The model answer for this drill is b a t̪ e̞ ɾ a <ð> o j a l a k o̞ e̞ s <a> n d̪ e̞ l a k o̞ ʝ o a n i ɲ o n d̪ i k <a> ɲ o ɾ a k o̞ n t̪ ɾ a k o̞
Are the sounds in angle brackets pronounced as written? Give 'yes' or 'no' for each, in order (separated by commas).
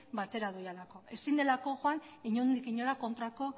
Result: yes, no, no